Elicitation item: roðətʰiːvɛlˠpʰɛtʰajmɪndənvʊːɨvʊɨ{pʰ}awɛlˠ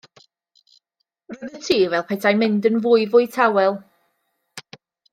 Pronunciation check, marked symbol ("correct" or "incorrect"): incorrect